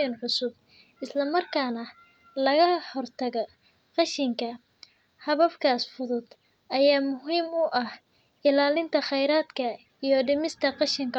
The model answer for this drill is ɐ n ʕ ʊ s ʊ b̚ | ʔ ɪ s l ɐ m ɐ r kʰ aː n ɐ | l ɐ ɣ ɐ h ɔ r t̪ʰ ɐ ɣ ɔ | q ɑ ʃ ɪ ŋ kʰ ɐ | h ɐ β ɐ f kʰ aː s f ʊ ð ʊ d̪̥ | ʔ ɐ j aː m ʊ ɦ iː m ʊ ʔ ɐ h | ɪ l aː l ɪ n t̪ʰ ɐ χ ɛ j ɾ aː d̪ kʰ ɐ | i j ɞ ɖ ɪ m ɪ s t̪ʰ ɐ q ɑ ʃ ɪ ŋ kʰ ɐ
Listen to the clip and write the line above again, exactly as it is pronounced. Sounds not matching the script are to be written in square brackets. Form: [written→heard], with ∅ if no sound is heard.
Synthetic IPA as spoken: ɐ n ʕ ʊ s ʊ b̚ | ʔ ɪ s l ɐ m ɐ r kʰ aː n ɐ | l ɐ ɣ ɐ h ɔ r t̪ʰ ɐ ɣ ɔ | q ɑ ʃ ɪ ŋ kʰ ɐ | h ɐ β ɐ f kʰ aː s f ʊ ð ʊ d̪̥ | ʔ ɐ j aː m ʊ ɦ iː m ʊ ʔ ɐ h | ɪ l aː l ɪ n t̪ʰ ɐ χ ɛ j ɾ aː d̪ kʰ ɐ | i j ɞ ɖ ɪ m ɪ s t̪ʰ ɐ q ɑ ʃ ɪ ŋ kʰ ɐ